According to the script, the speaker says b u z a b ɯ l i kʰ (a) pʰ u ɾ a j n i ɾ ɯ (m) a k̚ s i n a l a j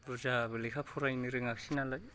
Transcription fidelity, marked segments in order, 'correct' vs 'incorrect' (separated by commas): correct, incorrect